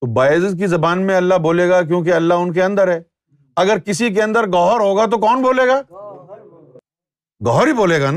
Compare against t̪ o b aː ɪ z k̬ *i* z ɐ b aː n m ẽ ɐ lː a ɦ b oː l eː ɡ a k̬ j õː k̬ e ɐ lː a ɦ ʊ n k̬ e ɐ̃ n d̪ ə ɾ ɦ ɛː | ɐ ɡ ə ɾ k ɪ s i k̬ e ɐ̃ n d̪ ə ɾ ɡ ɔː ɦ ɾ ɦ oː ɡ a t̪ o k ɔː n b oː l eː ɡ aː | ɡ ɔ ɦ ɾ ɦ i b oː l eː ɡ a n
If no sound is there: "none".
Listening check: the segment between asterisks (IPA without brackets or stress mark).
i